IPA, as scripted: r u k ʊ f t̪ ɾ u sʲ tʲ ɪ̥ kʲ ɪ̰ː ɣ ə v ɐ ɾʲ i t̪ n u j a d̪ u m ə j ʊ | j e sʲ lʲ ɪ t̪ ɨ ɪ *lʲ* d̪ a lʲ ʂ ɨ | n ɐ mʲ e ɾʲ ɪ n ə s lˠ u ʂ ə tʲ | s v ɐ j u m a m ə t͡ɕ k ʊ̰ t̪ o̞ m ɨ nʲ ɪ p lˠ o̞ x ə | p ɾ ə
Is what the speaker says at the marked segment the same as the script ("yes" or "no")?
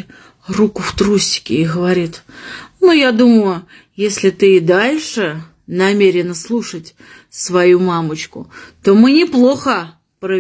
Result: no